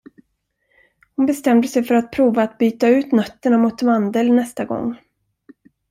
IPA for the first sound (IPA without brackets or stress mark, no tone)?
h